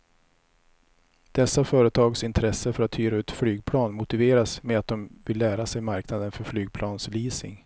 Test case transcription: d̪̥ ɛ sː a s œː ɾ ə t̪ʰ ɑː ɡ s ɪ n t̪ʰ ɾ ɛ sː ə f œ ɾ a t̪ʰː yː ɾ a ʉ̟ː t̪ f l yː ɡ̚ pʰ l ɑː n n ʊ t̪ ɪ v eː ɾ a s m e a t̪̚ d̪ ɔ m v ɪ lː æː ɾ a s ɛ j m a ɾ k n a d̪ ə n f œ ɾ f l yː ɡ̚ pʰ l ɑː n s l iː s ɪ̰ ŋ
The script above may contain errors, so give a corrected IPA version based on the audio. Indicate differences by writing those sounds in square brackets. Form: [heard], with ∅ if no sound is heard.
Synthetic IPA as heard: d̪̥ ɛ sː a [f] œː ɾ ə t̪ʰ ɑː ɡ s ɪ n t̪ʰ ɾ ɛ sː ə f œ ɾ a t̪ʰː yː ɾ a ʉ̟ː t̪ f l yː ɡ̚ pʰ l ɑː n [m] ʊ t̪ ɪ v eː ɾ a s m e a t̪̚ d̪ ɔ m v ɪ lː æː ɾ a s ɛ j m a ɾ k n a d̪ ə n f œ ɾ f l yː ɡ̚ pʰ l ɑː n s l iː s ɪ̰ ŋ